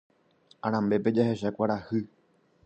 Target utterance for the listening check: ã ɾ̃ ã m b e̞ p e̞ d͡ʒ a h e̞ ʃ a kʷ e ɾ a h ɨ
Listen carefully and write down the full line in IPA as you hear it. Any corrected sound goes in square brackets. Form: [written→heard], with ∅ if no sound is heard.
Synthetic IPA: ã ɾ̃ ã m b e̞ p e̞ d͡ʒ a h e̞ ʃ a kʷ [e→a] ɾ a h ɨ